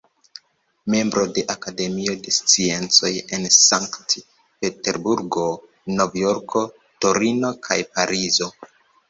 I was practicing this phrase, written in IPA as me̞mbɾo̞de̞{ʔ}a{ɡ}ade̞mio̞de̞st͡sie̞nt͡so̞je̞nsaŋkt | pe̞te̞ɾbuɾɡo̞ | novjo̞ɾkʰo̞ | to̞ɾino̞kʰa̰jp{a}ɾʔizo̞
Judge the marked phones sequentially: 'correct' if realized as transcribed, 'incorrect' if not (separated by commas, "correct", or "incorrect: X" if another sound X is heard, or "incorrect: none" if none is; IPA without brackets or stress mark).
correct, incorrect: k, correct